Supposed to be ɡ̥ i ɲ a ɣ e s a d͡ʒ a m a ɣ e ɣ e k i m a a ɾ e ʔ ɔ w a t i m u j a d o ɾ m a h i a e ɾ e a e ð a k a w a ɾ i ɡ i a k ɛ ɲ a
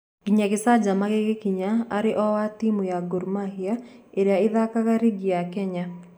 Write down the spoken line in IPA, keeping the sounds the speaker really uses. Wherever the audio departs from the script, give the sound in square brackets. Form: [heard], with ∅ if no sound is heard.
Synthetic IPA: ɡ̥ i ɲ a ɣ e s a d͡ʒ a m a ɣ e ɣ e k i [ɲ] a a ɾ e ʔ ɔ w a t i m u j a [ɡ] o ɾ m a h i a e ɾ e a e ð a k a [ɣ] a ɾ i ɡ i a k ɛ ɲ a